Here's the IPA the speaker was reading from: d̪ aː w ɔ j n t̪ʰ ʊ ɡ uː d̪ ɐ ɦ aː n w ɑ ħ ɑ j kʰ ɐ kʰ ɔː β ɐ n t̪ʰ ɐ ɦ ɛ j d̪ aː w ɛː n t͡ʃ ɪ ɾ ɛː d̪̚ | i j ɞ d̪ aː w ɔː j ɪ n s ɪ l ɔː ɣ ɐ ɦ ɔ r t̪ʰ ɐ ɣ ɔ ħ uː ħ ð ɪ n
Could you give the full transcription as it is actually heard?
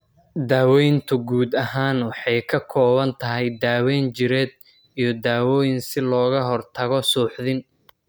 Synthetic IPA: d̪ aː w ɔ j n t̪ʰ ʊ ɡ uː d̪ ɐ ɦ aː n w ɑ ħ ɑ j kʰ ɐ kʰ ɔː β ɐ n t̪ʰ ɐ ɦ ɛ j d̪ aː w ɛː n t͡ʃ ɪ ɾ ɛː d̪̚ | i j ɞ d̪ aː w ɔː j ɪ n s ɪ l ɔː ɣ ɐ ɦ ɔ r t̪ʰ ɐ ɣ ɔ s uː ħ ð ɪ n

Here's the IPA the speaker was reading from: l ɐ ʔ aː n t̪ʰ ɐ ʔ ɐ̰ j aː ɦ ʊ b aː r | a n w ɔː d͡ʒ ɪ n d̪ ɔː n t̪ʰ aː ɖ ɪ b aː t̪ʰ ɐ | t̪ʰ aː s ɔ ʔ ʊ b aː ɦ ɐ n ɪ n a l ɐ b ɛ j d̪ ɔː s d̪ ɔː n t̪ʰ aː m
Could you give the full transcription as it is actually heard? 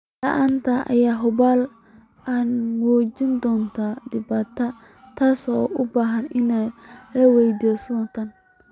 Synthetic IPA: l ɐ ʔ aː n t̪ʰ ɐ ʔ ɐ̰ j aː ɦ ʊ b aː l | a n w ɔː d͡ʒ ɪ n d̪ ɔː n t̪ʰ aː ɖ ɪ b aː t̪ʰ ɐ | t̪ʰ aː s ɔ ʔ ʊ b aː ɦ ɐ n ɪ n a l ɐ w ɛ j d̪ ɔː s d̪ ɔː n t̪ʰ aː n

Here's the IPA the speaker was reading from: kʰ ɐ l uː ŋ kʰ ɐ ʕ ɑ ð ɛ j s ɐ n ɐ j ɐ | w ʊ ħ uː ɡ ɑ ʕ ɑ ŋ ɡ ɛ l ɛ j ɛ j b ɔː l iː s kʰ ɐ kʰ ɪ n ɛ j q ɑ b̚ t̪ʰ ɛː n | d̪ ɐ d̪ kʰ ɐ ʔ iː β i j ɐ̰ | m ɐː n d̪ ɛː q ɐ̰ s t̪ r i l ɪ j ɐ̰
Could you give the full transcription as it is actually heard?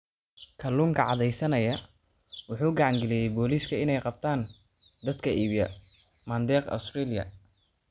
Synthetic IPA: kʰ ɐ l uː ŋ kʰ ɐ ʕ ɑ ð ɛ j s ɐ n ɐ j ɐ | w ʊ ħ uː ɡ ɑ ʕ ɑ ŋ ɡ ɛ l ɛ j ɛ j b ɔː l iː s kʰ ɐ ɪ n ɛ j q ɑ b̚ t̪ʰ aː n | d̪ ɐ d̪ kʰ ɐ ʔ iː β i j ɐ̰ | m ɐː n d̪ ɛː q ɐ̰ s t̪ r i l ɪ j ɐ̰

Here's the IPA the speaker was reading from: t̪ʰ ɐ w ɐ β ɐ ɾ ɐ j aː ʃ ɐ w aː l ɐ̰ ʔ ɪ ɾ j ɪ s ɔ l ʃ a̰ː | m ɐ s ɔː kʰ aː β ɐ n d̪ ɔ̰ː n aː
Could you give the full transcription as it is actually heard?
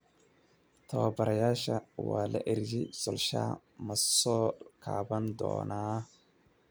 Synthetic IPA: t̪ʰ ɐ w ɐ b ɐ ɾ ɐ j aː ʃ ɐ w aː l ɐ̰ ʔ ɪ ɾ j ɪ s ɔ l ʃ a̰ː | m ɐ s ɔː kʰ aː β ɐ n d̪ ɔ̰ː n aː

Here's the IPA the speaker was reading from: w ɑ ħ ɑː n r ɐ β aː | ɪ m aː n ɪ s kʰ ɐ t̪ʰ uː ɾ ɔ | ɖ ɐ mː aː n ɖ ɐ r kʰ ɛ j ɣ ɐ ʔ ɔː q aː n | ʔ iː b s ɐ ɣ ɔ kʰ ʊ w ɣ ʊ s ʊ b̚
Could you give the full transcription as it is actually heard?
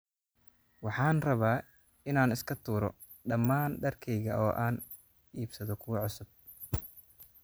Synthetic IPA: w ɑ ħ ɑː n r ɐ β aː | ɪ n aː n ɪ s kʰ ɐ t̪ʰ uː ɾ ɔ | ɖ ɐ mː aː n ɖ ɐ r kʰ ɛ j ɣ ɐ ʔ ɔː ʔ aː n | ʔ iː b s ɐ ð ɔ kʰ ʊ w ʕ ʊ s ʊ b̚

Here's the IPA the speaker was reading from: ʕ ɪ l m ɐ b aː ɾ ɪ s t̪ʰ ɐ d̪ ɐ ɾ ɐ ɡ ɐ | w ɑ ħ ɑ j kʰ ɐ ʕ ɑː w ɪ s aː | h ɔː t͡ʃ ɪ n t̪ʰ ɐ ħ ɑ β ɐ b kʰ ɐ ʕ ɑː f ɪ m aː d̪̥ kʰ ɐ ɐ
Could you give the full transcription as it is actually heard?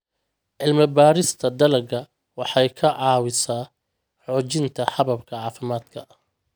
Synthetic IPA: ʕ ɪ l m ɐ b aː ɾ ɪ s t̪ʰ ɐ d̪ ɐ l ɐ ɡ ɐ | w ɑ ħ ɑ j kʰ ɐ ʕ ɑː w ɪ s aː | ħ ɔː t͡ʃ ɪ n t̪ʰ ɐ ħ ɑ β ɐ b kʰ ɐ ʕ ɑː f ɪ m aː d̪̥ kʰ ɐ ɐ

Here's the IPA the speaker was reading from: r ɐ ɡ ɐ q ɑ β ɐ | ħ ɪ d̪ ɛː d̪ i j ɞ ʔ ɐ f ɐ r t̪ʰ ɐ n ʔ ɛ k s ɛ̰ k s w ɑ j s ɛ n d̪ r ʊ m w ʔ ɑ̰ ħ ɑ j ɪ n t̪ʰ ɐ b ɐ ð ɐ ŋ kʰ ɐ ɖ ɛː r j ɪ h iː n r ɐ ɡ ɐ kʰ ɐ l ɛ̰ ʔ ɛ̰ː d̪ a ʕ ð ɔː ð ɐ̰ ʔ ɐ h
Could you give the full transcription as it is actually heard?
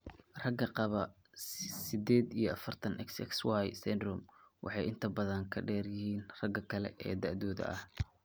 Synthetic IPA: r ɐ ɡ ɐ q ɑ β ɐ | s ɪ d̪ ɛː d̪ i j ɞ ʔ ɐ f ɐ r t̪ʰ ɐ n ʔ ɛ k s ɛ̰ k s w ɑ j s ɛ n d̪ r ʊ m w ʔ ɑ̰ ħ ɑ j ɪ n t̪ʰ ɐ b ɐ ð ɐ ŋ kʰ ɐ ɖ ɛː r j ɪ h iː n r ɐ ɡ ɐ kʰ ɐ l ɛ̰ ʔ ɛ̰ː d̪ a ʕ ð ɔː ð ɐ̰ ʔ ɐ h

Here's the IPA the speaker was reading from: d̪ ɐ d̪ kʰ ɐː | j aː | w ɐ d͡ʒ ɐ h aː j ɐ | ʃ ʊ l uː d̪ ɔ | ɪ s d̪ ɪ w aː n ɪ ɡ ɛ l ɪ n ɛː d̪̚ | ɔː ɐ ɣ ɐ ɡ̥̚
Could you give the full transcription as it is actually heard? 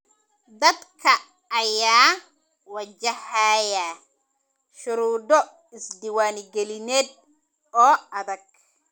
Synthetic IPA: d̪ ɐ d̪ kʰ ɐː | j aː | w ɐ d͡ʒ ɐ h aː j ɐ | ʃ ʊ ɾ uː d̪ ɔ | ɪ s d̪ ɪ w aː n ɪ ɡ ɛ l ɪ n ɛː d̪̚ | ɔː ɐ ð ɐ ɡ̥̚

